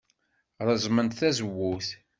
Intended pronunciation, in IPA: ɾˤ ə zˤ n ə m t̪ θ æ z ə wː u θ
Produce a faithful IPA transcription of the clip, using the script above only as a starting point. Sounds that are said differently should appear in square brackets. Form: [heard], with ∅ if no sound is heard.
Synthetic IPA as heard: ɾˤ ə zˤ [m] ə [n] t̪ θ æ z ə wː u θ